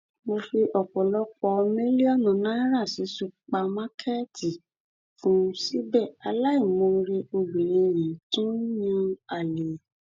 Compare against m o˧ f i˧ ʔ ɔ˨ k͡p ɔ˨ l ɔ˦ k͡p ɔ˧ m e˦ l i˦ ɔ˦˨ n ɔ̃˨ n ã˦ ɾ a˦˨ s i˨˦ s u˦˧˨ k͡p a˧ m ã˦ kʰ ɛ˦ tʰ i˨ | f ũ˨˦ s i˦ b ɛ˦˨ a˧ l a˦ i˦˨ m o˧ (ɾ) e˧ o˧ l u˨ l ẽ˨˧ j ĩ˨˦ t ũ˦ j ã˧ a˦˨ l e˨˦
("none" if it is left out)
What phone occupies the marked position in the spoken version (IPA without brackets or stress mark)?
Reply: ɾ